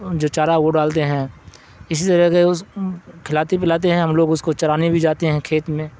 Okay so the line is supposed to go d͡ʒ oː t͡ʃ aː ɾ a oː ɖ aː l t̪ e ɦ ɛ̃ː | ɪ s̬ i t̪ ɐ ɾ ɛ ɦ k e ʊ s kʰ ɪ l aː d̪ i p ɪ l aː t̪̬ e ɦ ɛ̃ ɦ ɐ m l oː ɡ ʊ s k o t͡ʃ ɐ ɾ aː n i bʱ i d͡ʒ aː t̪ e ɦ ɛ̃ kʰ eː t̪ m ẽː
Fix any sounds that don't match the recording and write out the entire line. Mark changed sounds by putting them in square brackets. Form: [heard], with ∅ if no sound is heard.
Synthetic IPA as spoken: d͡ʒ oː t͡ʃ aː ɾ a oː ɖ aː l t̪ e ɦ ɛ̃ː | ɪ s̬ i t̪ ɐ ɾ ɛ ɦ k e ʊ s kʰ ɪ l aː [t̪] i p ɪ l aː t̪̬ e ɦ ɛ̃ ɦ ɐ m l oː ɡ ʊ s k o t͡ʃ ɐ ɾ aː n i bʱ i d͡ʒ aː t̪ e ɦ ɛ̃ kʰ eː t̪ m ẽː